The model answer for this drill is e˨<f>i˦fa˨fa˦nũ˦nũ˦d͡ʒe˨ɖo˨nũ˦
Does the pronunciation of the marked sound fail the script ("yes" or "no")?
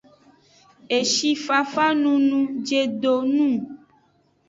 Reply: yes